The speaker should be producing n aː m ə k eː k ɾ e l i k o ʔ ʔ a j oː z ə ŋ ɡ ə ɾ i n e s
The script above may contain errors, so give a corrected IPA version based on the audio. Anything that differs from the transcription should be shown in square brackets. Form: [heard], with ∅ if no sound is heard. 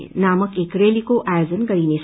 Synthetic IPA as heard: n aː m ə k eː k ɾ e l i k o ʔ ʔ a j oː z ə [n] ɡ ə ɾ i n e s